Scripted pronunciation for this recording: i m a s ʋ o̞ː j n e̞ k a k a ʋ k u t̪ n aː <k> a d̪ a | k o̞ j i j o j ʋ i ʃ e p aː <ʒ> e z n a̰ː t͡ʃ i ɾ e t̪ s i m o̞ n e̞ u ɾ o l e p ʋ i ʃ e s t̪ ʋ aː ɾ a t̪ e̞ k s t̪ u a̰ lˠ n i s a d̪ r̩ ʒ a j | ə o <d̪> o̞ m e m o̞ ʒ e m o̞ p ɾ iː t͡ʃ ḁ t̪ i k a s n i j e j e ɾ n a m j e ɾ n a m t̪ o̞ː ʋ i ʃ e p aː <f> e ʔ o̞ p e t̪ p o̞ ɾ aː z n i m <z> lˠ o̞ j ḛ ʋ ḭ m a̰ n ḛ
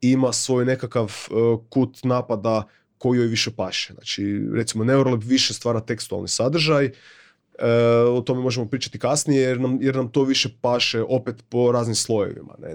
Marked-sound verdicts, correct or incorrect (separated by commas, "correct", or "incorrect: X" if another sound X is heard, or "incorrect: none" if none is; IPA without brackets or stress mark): incorrect: p, incorrect: ʃ, incorrect: t̪, incorrect: ʃ, incorrect: s